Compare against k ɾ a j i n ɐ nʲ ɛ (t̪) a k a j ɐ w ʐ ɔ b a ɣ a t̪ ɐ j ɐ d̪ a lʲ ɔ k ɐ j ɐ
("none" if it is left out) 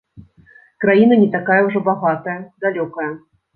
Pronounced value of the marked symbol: t̪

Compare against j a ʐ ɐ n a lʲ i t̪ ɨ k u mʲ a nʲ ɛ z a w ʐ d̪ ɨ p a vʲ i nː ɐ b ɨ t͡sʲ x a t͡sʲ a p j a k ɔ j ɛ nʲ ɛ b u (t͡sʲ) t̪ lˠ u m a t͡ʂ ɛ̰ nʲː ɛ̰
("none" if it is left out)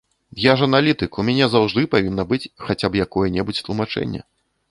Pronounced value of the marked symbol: t͡sʲ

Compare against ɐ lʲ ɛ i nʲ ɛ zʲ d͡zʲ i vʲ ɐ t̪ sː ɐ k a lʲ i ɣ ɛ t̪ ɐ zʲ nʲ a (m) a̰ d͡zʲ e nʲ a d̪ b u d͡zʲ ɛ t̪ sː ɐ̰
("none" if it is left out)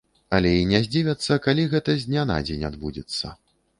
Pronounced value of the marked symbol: n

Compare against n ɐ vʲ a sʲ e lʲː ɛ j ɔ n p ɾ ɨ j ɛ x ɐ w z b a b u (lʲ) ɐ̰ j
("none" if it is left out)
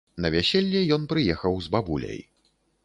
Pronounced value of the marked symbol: lʲ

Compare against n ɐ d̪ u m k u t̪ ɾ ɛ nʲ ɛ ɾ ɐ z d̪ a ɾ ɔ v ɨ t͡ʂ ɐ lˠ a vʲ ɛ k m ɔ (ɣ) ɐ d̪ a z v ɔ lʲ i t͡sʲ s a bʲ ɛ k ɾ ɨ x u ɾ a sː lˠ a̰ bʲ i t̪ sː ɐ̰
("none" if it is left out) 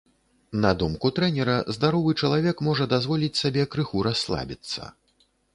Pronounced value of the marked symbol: ʐ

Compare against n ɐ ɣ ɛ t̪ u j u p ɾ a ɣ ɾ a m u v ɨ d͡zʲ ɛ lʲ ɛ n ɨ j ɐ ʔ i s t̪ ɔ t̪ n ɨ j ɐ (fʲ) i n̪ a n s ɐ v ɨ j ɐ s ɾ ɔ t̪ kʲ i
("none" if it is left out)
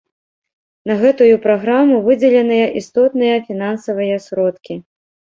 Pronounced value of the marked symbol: fʲ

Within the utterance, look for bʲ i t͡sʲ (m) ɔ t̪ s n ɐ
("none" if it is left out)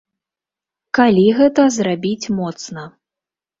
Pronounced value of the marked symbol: m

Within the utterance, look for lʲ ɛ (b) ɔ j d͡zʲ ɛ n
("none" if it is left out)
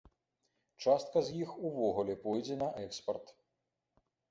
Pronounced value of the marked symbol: p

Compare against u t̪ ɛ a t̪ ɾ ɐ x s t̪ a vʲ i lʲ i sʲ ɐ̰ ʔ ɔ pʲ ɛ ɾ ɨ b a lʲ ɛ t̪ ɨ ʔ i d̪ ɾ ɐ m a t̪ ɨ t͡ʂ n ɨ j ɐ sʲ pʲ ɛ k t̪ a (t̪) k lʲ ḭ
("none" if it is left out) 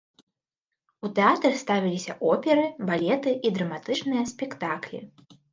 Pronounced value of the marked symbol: none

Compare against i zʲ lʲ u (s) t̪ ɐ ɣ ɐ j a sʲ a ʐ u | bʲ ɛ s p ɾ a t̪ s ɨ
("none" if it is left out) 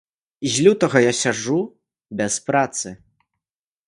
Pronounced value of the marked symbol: none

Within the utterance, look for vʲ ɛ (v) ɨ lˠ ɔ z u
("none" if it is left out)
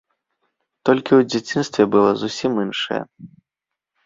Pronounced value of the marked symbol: b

